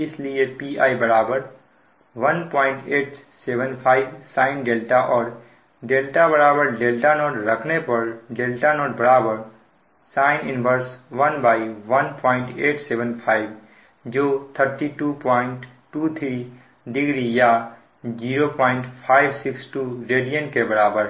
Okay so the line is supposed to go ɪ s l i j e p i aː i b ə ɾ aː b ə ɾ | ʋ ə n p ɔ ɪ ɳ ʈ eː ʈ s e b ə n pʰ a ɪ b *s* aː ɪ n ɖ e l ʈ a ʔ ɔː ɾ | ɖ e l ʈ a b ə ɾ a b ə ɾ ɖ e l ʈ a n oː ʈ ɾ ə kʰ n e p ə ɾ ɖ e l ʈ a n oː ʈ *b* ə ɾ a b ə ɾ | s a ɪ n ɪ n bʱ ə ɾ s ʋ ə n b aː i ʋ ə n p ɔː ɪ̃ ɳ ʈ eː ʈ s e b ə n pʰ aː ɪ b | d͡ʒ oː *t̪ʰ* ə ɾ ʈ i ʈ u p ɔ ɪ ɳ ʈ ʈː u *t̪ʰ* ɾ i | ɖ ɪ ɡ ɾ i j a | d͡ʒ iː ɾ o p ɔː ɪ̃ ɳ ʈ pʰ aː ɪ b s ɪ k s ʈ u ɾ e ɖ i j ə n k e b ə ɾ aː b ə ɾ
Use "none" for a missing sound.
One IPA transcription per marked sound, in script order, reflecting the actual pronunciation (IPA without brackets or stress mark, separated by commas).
s, b, t̪ʰ, t̪ʰ